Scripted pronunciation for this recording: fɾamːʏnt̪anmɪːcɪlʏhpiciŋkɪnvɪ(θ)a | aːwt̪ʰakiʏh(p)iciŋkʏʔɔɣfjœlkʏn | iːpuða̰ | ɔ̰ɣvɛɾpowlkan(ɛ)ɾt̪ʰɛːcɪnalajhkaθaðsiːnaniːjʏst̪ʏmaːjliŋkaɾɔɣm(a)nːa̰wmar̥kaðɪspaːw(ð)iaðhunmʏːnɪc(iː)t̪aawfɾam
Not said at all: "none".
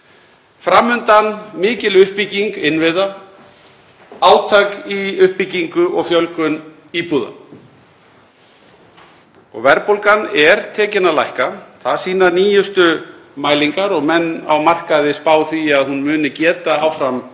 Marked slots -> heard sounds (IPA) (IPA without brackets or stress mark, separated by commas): ð, p, ɛ, ɛ, θ, ɛː